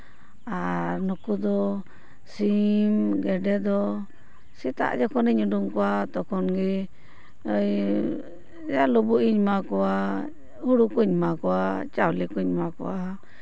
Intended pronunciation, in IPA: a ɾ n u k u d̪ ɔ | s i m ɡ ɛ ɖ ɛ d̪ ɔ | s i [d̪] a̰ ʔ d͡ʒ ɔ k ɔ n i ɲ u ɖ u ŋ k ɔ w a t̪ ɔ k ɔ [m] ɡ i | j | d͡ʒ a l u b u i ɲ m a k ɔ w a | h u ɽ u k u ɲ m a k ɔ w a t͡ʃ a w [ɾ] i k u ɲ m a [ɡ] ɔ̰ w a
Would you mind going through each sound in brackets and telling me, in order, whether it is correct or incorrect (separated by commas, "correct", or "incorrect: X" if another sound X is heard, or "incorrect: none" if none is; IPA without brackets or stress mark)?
incorrect: t̪, incorrect: n, incorrect: l, incorrect: k